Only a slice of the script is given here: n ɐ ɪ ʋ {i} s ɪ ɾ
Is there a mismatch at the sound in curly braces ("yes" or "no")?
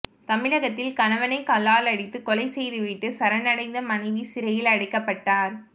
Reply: no